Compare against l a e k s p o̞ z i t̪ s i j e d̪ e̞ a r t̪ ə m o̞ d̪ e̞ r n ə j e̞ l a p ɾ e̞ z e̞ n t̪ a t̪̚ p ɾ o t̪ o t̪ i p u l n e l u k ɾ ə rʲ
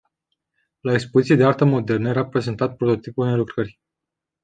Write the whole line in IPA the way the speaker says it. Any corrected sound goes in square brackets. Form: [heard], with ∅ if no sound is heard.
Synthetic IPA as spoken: l a e k s p o̞ z i t̪ s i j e d̪ e̞ a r t̪ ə m o̞ d̪ e̞ r n ə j e̞ [ɾ] a p ɾ e̞ z e̞ n t̪ a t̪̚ p ɾ o t̪ o t̪ i p u l n e l u k ɾ ə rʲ